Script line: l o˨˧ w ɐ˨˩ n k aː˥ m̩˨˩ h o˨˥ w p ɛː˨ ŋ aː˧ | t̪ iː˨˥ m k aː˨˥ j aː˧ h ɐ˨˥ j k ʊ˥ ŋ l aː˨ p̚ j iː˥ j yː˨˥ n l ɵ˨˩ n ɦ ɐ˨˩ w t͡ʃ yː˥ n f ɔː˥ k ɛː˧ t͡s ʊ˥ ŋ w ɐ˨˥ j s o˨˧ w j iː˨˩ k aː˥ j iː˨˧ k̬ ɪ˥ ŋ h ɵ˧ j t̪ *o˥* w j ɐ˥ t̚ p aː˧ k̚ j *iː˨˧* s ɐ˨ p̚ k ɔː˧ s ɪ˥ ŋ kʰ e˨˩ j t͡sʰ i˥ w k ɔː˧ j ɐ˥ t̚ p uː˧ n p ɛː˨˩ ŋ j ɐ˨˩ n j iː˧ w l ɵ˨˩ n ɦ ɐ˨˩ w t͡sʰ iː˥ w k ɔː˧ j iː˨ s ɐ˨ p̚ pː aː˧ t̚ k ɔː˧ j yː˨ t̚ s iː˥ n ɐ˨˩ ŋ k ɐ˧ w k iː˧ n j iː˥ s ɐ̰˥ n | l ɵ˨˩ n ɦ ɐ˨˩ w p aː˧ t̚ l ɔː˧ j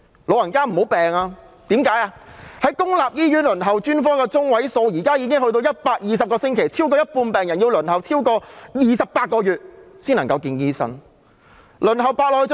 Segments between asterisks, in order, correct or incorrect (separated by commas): incorrect, correct